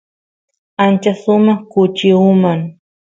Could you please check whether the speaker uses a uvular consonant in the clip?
yes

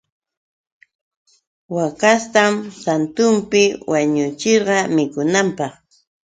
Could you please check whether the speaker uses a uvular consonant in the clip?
yes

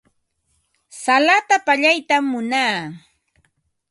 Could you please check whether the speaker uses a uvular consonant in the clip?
no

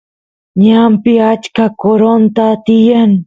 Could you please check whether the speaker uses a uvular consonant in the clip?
no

